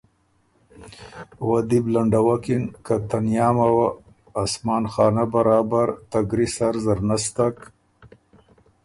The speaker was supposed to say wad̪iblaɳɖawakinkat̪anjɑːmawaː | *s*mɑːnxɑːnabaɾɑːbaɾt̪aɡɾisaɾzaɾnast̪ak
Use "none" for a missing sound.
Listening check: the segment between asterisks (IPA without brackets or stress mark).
s